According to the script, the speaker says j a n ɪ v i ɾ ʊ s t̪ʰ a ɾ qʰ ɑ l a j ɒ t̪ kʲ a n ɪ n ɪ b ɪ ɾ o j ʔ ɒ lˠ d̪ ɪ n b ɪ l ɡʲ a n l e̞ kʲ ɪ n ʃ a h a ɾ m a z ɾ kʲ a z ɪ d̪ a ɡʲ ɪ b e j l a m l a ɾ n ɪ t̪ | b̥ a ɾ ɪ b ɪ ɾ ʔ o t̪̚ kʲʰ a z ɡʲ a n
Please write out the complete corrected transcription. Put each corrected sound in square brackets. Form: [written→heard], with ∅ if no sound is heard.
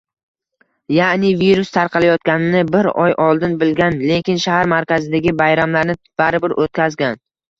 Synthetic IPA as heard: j a n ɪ v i ɾ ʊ s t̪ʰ a ɾ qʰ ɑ l a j ɒ t̪ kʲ a n ɪ n ɪ b ɪ ɾ [o→ɒ] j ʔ ɒ lˠ d̪ ɪ n b ɪ l ɡʲ a n l e̞ kʲ ɪ n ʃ a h a ɾ m a [z→∅] ɾ kʲ a z ɪ d̪ a ɡʲ ɪ b [e→a] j [l→ɾ] a m l a ɾ n ɪ [t̪→∅] | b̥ a ɾ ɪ b ɪ ɾ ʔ o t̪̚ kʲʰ a z ɡʲ a n

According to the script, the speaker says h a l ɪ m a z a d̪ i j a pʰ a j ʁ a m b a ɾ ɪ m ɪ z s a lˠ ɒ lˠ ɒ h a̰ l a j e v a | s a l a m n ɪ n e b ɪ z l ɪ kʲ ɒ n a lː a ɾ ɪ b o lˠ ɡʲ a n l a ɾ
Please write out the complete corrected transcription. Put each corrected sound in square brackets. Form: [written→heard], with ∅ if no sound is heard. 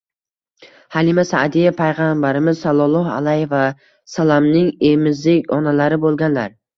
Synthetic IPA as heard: h a l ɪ m a [z→s] a d̪ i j a pʰ a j ʁ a m b a ɾ ɪ m ɪ z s a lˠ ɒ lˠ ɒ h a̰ l a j e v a | s a l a m n ɪ [n→ŋ] e [b→m] ɪ z l ɪ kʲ ɒ n a [lː→l] a ɾ ɪ b o lˠ ɡʲ a n l a ɾ

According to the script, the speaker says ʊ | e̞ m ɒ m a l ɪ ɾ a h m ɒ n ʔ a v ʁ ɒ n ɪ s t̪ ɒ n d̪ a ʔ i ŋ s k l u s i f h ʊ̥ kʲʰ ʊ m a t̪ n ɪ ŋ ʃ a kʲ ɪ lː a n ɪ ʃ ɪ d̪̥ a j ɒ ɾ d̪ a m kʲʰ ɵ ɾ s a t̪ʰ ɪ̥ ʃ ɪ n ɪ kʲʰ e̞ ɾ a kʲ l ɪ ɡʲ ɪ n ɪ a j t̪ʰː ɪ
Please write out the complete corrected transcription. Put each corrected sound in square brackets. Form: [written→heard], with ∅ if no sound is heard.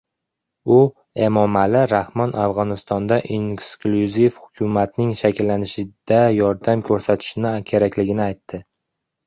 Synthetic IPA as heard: ʊ | e̞ m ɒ m a l ɪ ɾ a h m ɒ n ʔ a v ʁ ɒ n ɪ s t̪ ɒ n d̪ a ʔ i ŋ s k l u [s→z] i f h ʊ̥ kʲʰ ʊ m a t̪ n ɪ ŋ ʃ a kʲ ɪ lː a n ɪ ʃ ɪ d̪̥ a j ɒ ɾ d̪ a m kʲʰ ɵ ɾ s a t̪ʰ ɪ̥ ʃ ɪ n ɪ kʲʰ e̞ ɾ a kʲ l ɪ ɡʲ ɪ n ɪ a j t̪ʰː ɪ

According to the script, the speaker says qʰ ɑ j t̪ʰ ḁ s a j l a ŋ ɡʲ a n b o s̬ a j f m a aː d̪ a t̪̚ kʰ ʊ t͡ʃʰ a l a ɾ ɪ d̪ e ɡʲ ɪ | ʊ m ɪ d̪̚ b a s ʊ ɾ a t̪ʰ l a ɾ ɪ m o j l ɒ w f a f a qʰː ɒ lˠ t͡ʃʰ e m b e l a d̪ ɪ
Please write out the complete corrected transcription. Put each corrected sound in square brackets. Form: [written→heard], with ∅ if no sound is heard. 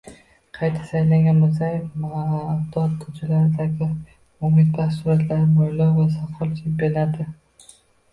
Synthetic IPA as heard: qʰ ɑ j t̪ʰ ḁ s a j l a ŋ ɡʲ a n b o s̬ a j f m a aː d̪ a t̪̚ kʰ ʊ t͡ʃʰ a l a ɾ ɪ d̪ [e→a] ɡʲ ɪ | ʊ m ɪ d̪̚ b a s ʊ ɾ a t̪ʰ l a ɾ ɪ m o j l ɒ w [f→v] a [f→s] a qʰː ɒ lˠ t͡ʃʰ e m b e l a d̪ ɪ

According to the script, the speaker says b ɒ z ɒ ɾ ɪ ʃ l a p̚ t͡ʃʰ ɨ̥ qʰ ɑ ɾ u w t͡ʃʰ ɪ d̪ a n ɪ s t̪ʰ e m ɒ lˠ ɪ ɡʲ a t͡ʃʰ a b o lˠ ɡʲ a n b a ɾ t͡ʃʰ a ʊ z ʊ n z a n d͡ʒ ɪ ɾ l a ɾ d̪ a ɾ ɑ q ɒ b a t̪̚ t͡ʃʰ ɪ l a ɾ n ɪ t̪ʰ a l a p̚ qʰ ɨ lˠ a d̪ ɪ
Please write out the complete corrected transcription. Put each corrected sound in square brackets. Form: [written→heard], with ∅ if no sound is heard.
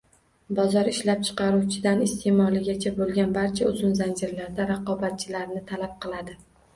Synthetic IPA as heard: b ɒ z ɒ ɾ ɪ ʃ l a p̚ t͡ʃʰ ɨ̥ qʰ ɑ ɾ u w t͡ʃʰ ɪ d̪ a n ɪ s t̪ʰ e m ɒ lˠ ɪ ɡʲ a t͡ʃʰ a b o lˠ ɡʲ a n b a ɾ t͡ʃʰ a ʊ z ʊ n z a n d͡ʒ ɪ ɾ l a ɾ d̪ a ɾ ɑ q ɒ b a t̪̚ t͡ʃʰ ɪ l a ɾ n ɪ t̪ʰ a l a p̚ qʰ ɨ lˠ a d̪ ɪ

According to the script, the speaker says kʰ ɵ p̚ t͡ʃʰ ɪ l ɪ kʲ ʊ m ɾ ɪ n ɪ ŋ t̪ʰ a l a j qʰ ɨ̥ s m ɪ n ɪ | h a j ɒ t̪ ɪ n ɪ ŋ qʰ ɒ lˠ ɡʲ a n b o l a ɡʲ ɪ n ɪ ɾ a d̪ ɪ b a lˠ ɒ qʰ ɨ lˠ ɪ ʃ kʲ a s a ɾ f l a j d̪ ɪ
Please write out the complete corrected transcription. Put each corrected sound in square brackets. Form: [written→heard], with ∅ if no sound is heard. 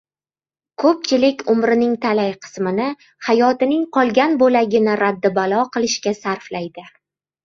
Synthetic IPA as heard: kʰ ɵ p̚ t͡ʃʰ ɪ l ɪ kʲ ʊ m ɾ ɪ n ɪ ŋ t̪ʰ a l a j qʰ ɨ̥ s m ɪ n ɪ | h a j ɒ t̪ ɪ n ɪ ŋ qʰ ɒ lˠ ɡʲ a n b o l a ɡʲ ɪ n ɪ ɾ a [d̪→d̪ː] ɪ b a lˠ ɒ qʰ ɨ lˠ ɪ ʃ kʲ a s a ɾ f l a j d̪ ɪ

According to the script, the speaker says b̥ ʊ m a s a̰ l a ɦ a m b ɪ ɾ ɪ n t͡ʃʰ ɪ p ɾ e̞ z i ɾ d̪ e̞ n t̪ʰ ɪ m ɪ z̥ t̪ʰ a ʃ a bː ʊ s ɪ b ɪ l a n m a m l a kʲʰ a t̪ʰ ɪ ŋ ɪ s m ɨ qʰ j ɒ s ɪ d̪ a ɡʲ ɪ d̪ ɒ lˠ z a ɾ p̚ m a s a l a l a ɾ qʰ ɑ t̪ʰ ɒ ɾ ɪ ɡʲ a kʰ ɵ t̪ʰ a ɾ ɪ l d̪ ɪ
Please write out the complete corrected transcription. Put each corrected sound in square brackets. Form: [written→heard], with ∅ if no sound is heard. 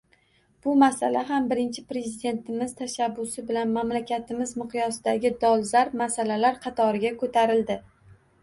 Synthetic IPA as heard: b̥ ʊ m a s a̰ l a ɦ a m b ɪ ɾ ɪ n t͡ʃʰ ɪ p ɾ e̞ z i [ɾ→∅] d̪ e̞ n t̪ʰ ɪ m ɪ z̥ t̪ʰ a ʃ a bː ʊ s ɪ b ɪ l a n m a m l a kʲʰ a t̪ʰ ɪ [ŋ→m] ɪ [s→z] m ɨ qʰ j ɒ s ɪ d̪ a ɡʲ ɪ d̪ ɒ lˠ z a ɾ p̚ m a s a l a l a ɾ qʰ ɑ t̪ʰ ɒ ɾ ɪ ɡʲ a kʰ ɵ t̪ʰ a ɾ ɪ l d̪ ɪ

